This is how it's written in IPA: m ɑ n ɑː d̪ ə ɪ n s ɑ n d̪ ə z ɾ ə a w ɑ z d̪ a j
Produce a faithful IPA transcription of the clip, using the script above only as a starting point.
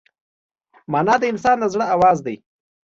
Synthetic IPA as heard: m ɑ n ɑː d̪ ə ɪ n s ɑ n d̪ ə z ɽ ə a w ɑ z d̪ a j